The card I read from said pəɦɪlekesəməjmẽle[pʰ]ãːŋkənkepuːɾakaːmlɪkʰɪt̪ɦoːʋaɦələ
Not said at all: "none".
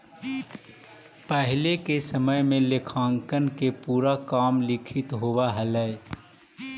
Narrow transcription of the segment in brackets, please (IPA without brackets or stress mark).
kʰ